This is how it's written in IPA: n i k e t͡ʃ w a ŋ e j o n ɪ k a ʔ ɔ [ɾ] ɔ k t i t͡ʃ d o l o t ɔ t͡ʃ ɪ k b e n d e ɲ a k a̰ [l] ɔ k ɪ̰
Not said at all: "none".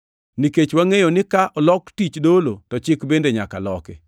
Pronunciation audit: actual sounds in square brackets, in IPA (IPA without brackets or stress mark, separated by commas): l, l